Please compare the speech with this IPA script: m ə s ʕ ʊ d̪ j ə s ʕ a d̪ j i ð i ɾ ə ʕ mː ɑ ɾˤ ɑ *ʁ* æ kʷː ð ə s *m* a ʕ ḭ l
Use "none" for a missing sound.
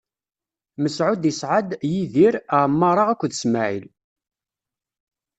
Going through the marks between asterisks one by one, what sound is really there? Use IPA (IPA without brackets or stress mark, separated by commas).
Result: ʁ, m